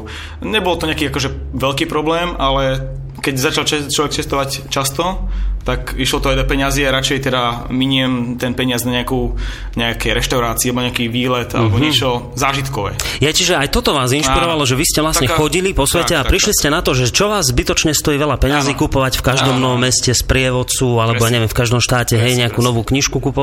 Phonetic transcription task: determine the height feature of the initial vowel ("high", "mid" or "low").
mid